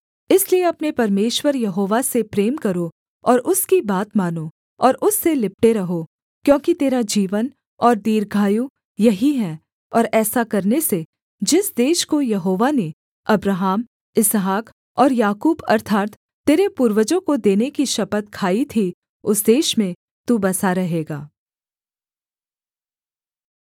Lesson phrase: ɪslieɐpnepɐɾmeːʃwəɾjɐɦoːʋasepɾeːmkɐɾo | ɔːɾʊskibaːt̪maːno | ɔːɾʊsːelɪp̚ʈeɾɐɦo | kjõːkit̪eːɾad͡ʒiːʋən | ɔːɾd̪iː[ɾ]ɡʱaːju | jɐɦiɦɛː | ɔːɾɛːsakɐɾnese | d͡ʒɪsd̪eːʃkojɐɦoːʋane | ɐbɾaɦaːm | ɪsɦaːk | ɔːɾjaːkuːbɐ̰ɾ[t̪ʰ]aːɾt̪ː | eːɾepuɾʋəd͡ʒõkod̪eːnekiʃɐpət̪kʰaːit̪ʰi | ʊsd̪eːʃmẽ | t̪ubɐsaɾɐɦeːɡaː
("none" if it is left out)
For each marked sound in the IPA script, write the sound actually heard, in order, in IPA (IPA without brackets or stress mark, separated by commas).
ɾ, t̪ʰ